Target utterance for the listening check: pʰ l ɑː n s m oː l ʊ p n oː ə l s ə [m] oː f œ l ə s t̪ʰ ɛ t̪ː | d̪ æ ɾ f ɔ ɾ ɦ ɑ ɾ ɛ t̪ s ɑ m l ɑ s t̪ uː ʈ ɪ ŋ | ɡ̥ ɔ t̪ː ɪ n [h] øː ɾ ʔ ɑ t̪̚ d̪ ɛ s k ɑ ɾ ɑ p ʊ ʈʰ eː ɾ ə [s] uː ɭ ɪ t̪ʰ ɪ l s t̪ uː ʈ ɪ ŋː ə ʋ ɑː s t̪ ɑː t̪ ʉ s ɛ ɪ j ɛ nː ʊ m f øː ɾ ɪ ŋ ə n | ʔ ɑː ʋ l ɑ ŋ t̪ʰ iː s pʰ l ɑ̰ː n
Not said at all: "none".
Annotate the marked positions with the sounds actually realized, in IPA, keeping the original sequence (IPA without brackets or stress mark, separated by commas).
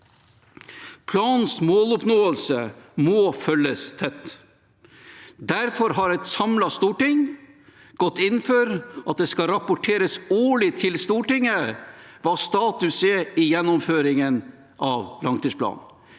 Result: m, f, s